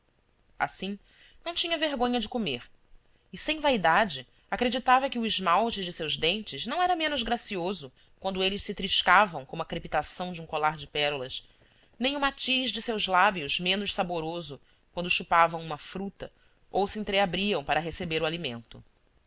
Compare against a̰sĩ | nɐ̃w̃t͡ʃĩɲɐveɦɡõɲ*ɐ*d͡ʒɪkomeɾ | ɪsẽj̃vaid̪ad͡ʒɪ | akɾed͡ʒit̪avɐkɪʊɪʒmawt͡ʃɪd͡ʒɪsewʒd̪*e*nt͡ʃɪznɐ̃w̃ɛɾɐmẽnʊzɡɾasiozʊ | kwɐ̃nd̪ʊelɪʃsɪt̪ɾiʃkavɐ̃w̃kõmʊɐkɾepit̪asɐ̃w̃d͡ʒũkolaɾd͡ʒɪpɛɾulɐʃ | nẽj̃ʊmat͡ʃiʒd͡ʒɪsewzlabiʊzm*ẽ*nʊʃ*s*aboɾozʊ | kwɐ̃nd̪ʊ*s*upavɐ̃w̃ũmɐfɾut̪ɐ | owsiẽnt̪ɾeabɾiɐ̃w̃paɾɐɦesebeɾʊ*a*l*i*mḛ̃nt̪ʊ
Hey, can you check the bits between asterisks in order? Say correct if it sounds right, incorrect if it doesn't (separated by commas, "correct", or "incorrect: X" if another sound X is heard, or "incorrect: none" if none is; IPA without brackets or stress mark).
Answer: correct, incorrect: ẽ, correct, correct, incorrect: ʃ, correct, correct